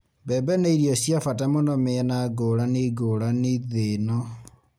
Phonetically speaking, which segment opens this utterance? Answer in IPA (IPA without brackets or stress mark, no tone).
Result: b